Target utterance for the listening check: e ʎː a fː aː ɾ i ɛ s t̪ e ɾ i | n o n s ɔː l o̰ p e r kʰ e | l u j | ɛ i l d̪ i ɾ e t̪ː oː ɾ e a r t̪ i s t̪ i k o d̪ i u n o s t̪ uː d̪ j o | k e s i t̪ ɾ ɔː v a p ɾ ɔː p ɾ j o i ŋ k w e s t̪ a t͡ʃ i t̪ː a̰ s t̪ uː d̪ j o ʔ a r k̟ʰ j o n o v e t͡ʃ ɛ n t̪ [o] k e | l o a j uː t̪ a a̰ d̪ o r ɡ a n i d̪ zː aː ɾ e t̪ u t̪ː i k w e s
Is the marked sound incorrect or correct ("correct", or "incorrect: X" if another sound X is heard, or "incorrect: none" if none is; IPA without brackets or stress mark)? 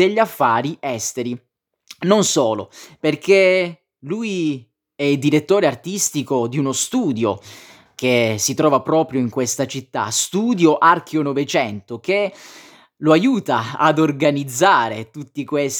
correct